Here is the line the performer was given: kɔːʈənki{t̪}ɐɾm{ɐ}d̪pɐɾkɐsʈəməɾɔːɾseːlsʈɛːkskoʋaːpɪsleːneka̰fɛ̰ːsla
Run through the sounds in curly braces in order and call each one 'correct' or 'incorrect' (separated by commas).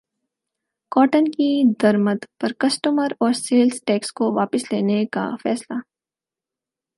incorrect, incorrect